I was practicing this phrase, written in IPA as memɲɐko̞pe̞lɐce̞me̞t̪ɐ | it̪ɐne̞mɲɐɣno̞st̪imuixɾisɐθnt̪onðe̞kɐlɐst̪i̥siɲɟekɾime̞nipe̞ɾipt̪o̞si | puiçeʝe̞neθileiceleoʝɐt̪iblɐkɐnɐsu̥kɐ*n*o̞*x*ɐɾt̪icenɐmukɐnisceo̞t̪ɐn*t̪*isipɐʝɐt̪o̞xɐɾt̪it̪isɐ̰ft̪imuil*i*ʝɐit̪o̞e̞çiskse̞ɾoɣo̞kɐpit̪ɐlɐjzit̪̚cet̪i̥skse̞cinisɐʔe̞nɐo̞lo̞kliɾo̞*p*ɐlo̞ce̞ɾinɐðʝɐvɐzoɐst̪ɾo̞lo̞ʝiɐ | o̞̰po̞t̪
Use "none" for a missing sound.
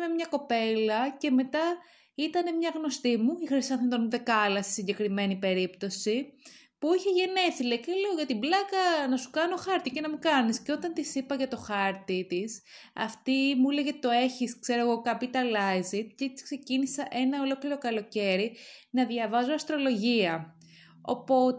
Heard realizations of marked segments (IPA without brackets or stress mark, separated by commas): n, x, t̪, e, k